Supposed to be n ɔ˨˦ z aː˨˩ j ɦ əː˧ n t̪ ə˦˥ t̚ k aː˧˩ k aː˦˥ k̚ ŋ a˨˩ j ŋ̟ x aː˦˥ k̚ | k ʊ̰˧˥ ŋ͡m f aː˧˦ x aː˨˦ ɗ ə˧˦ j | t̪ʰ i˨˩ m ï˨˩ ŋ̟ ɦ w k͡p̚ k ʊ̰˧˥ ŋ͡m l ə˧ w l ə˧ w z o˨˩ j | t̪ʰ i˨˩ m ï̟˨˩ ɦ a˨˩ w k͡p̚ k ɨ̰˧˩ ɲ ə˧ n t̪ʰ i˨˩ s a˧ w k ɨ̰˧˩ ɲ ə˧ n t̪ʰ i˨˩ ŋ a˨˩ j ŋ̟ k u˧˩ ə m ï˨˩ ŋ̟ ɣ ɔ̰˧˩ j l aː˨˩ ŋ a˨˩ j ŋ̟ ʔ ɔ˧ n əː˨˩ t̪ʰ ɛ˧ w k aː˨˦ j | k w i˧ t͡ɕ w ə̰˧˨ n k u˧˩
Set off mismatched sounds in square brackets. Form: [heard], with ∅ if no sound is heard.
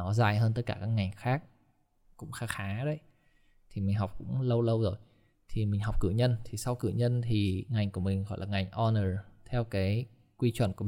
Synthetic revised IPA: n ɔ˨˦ z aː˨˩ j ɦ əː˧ n t̪ ə˦˥ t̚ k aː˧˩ k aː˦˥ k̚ ŋ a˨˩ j ŋ̟ x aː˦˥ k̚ | k ʊ̰˧˥ ŋ͡m [x] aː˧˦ x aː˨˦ ɗ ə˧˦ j | t̪ʰ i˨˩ m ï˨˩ ŋ̟ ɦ w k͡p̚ k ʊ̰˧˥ ŋ͡m l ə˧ w l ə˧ w z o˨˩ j | t̪ʰ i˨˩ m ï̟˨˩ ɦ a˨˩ w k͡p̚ k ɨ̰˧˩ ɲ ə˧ n t̪ʰ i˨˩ s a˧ w k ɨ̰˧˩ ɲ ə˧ n t̪ʰ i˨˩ ŋ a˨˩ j ŋ̟ k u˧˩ ə m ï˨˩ ŋ̟ ɣ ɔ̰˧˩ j l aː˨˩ ŋ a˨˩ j ŋ̟ ʔ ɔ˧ n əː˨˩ t̪ʰ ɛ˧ w k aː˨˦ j | k w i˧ t͡ɕ w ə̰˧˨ n k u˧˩